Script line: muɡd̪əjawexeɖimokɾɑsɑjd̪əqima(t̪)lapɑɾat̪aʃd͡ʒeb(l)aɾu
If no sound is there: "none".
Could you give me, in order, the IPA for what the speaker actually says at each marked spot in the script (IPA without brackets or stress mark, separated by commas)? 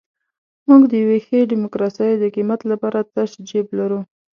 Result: t̪, l